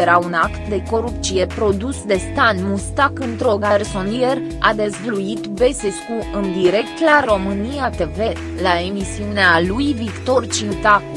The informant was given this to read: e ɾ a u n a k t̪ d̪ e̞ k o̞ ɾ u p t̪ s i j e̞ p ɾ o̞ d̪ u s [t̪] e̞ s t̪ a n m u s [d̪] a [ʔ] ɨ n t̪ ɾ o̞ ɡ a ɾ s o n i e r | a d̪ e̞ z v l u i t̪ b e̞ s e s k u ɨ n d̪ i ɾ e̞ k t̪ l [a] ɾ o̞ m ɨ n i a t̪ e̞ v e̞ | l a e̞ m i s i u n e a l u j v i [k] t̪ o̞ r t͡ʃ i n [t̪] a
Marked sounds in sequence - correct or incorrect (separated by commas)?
incorrect, incorrect, incorrect, correct, correct, correct